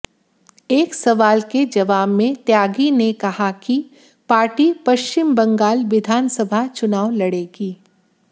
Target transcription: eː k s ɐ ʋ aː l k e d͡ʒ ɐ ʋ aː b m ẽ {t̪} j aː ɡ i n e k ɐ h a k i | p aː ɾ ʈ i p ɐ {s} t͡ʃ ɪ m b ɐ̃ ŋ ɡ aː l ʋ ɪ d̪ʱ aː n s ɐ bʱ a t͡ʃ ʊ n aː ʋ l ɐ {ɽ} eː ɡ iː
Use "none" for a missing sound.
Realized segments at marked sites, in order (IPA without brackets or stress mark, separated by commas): t̪, ʃ, ɽ